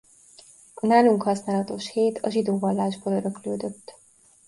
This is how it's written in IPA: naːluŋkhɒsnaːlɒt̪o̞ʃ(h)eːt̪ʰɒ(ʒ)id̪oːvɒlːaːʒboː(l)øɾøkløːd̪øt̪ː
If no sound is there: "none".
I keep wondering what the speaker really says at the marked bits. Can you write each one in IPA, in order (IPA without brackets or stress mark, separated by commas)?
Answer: h, ʒ, l